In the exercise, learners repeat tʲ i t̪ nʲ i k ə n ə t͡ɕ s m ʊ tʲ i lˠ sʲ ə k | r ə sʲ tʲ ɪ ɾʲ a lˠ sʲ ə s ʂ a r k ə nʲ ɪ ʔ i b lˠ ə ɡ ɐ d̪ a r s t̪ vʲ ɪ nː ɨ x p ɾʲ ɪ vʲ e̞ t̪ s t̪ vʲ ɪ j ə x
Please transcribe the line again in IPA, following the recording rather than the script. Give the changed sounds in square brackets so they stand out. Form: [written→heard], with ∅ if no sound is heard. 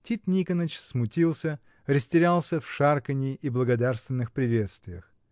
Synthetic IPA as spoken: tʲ i t̪ nʲ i k ə n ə t͡ɕ s m ʊ tʲ i lˠ sʲ ə [k→∅] | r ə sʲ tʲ ɪ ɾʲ a lˠ sʲ ə [s→f] ʂ a r k ə nʲ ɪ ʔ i b lˠ ə ɡ ɐ d̪ a r s t̪ vʲ ɪ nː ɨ x p ɾʲ ɪ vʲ e̞ t̪ s t̪ vʲ ɪ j ə x

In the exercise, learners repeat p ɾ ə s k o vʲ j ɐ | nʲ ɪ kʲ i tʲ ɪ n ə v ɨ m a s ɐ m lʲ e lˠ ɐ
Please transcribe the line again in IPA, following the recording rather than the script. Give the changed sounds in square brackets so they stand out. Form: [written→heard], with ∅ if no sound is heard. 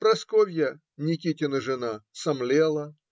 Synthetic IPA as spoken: p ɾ [ə→ɐ] s k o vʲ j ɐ | nʲ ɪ kʲ i tʲ ɪ n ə [v→ʐ] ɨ [m→n] a s ɐ m lʲ e lˠ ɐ

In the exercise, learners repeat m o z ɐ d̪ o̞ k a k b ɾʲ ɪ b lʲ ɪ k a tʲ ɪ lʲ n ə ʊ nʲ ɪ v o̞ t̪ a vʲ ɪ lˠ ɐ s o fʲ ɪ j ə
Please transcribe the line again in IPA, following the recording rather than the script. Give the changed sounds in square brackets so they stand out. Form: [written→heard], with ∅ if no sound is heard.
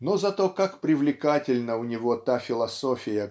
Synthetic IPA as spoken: [m→n] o z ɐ [d̪→t̪] o̞ k a k [b→p] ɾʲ ɪ [b→v] lʲ ɪ k a tʲ ɪ lʲ n ə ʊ nʲ ɪ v o̞ t̪ a [vʲ→fʲ] ɪ lˠ ɐ s o fʲ ɪ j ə

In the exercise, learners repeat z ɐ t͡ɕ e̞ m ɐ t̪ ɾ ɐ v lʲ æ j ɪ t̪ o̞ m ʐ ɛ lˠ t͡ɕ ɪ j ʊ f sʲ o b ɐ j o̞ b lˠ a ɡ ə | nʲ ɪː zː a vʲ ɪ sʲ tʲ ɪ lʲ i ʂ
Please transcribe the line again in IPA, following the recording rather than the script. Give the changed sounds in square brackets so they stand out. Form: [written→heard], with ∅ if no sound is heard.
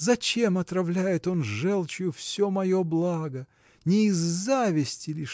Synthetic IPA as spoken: z ɐ t͡ɕ e̞ m ɐ t̪ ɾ ɐ v lʲ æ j ɪ t̪ o̞ [m→n] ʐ ɛ lˠ t͡ɕ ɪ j ʊ f sʲ o [b→m] ɐ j o̞ b lˠ a ɡ ə | nʲ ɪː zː a vʲ ɪ sʲ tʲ ɪ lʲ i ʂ

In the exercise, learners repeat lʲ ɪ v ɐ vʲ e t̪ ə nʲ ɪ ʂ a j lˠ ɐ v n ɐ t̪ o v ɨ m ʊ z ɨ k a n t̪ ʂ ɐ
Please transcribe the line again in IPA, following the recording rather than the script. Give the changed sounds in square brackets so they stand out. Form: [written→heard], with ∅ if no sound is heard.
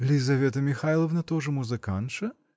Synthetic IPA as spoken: lʲ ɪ [v→z] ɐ vʲ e t̪ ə [nʲ→mʲ] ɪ [ʂ→x] a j lˠ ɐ v n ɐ t̪ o [v→ʐ] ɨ m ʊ z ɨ k a n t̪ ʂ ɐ

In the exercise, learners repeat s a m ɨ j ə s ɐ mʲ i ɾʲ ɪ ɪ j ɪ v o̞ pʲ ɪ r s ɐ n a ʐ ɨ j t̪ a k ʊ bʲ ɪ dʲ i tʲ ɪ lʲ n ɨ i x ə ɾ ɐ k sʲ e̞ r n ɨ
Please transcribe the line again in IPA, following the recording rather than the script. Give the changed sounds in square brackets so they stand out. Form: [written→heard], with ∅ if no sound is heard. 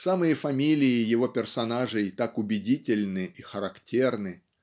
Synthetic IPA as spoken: s a m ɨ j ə [s→f] ɐ mʲ i [ɾʲ→lʲ] ɪ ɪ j ɪ v o̞ pʲ ɪ r s ɐ n a ʐ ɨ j t̪ a k ʊ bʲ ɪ dʲ i tʲ ɪ lʲ n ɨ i x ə ɾ ɐ k [sʲ→tʲ] e̞ r n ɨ

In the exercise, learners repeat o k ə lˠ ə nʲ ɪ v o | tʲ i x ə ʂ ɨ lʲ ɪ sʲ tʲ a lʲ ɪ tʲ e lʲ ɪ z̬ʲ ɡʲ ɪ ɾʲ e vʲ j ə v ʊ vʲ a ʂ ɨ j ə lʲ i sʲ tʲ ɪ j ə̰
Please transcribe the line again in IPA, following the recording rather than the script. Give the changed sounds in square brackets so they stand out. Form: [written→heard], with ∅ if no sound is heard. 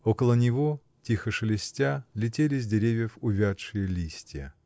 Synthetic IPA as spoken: o k ə lˠ ə nʲ ɪ v o | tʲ i x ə ʂ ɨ lʲ ɪ sʲ tʲ a lʲ ɪ tʲ e lʲ ɪ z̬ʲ [ɡʲ→dʲ] ɪ ɾʲ e vʲ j ə [v→f] ʊ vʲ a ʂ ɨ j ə lʲ i sʲ tʲ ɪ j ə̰

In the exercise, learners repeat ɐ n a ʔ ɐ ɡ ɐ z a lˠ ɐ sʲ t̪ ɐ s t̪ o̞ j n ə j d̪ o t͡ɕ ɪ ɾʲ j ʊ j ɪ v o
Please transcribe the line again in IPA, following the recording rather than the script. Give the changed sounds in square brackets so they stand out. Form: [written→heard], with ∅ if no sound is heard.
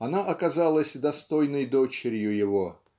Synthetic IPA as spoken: ɐ n a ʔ ɐ [ɡ→k] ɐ z a lˠ [ɐ→ə] sʲ [t̪→d̪] ɐ s t̪ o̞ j n ə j d̪ o t͡ɕ ɪ ɾʲ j ʊ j ɪ v o

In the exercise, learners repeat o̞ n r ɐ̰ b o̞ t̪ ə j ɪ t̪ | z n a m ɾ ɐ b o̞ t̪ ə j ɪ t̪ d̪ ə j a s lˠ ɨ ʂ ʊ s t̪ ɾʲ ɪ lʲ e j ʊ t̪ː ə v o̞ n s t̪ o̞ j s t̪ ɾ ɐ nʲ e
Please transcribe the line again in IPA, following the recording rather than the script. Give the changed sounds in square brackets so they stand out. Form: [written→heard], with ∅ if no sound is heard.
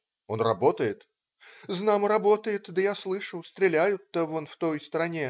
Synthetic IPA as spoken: o̞ n r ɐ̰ b o̞ t̪ ə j ɪ t̪ | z n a m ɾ ɐ b o̞ t̪ ə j ɪ t̪ d̪ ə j a s lˠ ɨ ʂ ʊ s t̪ ɾʲ ɪ lʲ [e→æ] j ʊ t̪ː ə v o̞ n [s→f] t̪ o̞ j s t̪ ɾ ɐ nʲ e

